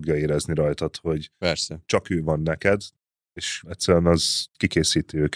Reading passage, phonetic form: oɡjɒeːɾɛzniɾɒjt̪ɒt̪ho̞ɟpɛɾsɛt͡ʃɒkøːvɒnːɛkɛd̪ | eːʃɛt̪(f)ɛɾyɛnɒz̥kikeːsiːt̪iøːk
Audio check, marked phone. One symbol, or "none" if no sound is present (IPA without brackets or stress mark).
s